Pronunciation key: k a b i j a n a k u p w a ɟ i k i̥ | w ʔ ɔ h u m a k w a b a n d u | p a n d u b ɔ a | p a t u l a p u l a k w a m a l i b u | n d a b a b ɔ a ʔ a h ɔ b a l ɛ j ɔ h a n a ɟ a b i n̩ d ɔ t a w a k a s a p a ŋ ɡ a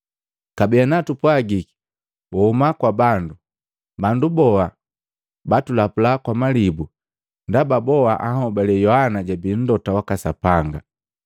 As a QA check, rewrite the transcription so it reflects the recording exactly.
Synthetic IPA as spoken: k a b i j a n a t u p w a ɡ i k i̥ | w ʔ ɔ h u m a k w a b a n d u | b a n d u b ɔ a | b a t u l a p u l a k w a m a l i b u | n d a b a b ɔ a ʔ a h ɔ b a l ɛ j ɔ h a n a ɟ a b i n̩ d ɔ t a w a k a s a p a ŋ ɡ a